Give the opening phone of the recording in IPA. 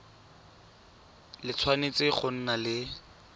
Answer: l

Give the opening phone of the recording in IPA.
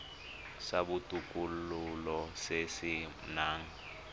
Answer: s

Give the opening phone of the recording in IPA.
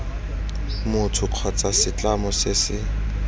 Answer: m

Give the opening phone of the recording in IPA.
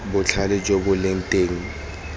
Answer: b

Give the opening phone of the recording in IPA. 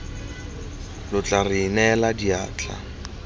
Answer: l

